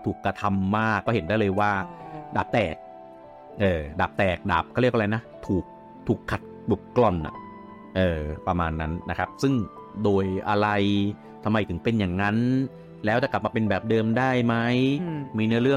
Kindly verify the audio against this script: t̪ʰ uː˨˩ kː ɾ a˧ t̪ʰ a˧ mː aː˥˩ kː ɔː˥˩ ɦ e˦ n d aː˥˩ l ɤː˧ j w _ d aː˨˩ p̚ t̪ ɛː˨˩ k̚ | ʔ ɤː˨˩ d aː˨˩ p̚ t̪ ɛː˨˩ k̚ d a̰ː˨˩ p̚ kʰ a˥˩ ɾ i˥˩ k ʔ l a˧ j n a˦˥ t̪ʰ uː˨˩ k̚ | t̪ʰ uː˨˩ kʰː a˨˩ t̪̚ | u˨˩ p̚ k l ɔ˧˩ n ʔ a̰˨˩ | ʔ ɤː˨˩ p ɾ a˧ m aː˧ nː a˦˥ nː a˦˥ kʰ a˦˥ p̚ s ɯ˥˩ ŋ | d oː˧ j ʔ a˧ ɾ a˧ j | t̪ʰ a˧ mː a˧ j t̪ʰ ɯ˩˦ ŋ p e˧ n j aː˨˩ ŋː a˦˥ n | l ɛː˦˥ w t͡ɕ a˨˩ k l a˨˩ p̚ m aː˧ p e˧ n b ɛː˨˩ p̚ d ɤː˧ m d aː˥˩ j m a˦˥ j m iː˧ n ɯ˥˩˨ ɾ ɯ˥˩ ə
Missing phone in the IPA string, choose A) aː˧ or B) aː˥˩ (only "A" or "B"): B